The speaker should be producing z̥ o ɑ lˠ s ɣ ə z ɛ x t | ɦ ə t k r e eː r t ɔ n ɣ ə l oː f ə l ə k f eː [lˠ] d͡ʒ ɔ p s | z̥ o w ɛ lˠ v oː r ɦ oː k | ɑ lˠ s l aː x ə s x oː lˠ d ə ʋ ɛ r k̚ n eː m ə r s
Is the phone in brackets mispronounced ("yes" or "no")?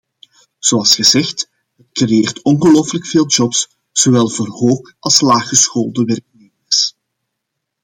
no